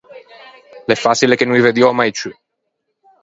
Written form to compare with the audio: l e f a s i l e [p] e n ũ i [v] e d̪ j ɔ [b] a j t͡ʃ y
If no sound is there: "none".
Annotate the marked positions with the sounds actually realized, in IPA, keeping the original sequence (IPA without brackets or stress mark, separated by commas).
k, v, m